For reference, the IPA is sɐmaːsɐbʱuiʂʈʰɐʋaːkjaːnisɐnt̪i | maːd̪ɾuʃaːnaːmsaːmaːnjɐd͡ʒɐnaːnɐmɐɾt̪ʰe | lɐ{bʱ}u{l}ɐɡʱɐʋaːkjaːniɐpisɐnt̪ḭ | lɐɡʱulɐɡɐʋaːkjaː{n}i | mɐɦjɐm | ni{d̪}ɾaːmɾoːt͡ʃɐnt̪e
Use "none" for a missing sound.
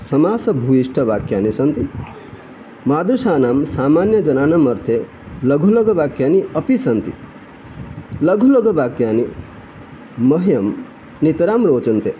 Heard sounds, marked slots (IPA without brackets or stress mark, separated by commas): ɡʱ, l, n, t̪